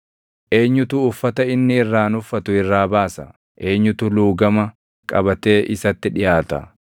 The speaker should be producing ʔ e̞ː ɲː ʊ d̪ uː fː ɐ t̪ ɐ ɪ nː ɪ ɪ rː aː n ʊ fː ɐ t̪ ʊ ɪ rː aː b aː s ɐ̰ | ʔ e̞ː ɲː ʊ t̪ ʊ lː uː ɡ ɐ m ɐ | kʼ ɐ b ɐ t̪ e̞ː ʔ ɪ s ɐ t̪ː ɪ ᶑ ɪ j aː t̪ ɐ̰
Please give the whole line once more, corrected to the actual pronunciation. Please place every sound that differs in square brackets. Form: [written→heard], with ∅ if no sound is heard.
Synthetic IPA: ʔ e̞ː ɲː ʊ [d̪→t̪] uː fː ɐ t̪ ɐ ɪ nː ɪ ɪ rː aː n ʊ fː ɐ t̪ ʊ ɪ rː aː b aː s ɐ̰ | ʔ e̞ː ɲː ʊ t̪ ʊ [lː→l] uː ɡ ɐ m ɐ | kʼ ɐ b ɐ t̪ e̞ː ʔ ɪ s ɐ t̪ː ɪ ᶑ ɪ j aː t̪ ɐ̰